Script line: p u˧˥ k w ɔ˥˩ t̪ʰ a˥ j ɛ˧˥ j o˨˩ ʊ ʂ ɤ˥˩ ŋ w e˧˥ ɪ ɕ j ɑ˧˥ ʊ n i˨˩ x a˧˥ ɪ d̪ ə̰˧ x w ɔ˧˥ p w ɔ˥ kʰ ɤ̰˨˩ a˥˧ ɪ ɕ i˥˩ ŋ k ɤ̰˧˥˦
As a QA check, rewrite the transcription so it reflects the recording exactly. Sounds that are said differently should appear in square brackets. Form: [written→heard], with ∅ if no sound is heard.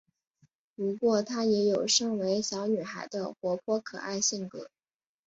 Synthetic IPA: p u˧˥ k w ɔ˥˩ t̪ʰ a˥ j ɛ˧˥ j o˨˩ ʊ ʂ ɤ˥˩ ŋ w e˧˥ ɪ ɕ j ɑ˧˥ ʊ n [i˨˩→y˨˩] x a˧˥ ɪ d̪ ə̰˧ x w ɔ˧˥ [p→pʰ] w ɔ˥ kʰ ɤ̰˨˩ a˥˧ ɪ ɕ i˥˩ ŋ k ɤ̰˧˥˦